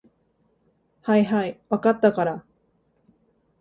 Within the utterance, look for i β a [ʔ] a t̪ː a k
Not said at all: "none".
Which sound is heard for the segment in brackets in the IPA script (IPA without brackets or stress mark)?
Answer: k